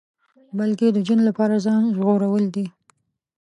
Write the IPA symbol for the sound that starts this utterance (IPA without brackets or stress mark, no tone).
b